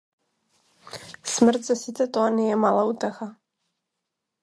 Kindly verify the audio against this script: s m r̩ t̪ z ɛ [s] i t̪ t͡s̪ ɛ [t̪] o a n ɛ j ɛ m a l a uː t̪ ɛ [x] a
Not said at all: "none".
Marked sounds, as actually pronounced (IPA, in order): s, t̪, x

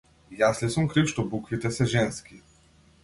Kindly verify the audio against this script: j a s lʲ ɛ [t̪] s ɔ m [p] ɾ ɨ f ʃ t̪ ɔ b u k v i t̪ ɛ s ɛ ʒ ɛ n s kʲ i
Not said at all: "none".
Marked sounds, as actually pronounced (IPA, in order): none, k

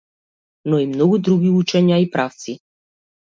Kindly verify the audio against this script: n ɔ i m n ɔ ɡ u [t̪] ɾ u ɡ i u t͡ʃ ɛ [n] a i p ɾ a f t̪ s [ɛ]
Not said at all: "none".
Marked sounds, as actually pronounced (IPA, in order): d̪, ɲ, i

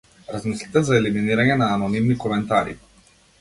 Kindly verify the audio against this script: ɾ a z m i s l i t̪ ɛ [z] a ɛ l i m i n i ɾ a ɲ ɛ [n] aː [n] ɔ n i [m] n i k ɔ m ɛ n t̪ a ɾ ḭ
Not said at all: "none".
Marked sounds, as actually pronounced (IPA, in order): z, n, n, m

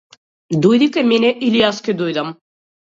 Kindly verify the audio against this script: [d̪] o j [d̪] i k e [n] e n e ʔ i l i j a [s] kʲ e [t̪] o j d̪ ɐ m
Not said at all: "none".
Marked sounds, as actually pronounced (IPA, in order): d̪, d̪, m, s, d̪

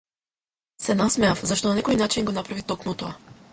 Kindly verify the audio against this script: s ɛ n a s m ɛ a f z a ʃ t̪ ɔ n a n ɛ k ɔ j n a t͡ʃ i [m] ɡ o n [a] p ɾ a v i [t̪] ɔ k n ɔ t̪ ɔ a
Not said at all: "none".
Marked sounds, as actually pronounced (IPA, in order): n, a, t̪

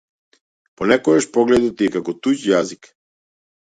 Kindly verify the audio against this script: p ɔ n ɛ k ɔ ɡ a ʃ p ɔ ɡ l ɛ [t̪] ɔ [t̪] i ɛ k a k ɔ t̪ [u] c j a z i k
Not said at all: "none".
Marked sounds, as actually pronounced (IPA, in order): d̪, t̪, u

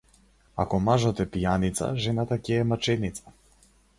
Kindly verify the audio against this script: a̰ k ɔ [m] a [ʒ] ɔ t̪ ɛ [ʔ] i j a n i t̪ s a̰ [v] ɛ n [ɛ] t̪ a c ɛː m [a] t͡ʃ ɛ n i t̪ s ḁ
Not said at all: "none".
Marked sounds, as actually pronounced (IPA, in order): m, ʒ, p, ʒ, a, a

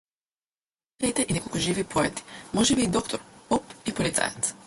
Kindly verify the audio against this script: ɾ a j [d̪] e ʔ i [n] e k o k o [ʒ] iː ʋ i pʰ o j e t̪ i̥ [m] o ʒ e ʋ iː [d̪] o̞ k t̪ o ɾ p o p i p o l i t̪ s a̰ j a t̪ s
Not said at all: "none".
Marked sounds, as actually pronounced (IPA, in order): t̪, n, ʒ, m, d̪

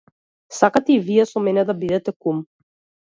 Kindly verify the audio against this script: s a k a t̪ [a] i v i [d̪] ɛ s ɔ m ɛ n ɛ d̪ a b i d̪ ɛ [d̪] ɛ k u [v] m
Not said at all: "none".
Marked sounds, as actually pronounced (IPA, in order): ɛ, none, t̪, none

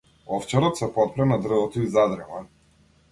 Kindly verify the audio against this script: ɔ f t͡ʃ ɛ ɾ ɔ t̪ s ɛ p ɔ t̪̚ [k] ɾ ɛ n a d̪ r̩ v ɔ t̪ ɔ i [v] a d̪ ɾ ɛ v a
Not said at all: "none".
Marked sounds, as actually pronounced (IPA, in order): p, z

